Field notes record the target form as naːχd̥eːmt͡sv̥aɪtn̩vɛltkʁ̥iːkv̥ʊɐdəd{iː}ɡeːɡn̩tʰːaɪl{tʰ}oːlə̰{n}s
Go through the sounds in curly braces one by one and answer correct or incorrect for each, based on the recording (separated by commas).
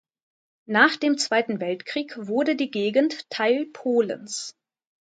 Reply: correct, incorrect, correct